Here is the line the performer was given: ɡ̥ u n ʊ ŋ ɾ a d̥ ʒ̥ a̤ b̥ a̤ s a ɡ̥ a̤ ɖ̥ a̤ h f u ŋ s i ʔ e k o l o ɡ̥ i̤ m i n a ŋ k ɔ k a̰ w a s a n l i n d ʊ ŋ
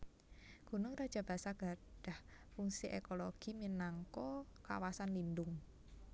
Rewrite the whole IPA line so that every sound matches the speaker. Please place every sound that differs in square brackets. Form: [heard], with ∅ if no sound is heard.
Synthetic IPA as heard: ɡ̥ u n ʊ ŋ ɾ a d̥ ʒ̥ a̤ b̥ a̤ s a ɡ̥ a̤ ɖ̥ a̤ h f u ŋ s i ʔ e k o l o ɡ̥ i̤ m i n a ŋ k ɔ k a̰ w a s a n l i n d ʊ ŋ